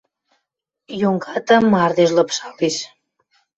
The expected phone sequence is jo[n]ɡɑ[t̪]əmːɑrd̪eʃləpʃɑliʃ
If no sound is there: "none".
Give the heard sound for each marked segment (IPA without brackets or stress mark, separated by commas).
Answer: ŋ, t̪